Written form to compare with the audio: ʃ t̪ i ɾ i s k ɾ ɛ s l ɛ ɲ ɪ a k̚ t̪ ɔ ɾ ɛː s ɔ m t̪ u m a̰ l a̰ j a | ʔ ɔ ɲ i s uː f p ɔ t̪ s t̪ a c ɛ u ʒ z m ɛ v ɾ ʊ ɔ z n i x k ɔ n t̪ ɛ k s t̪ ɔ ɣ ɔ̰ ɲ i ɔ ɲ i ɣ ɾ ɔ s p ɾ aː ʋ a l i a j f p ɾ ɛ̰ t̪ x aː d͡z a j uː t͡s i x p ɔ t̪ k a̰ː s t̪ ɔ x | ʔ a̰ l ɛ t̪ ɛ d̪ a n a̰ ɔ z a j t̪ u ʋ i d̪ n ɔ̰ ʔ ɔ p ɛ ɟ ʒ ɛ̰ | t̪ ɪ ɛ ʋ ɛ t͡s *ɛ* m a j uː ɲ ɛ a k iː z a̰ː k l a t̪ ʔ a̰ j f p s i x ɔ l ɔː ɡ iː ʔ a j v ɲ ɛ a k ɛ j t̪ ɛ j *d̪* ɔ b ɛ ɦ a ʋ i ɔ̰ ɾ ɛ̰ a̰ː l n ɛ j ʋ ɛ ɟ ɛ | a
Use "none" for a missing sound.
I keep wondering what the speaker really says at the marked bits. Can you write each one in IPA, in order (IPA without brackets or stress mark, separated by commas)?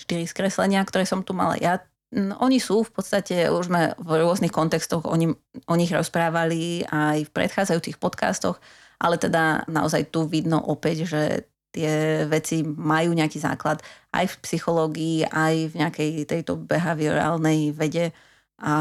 i, t̪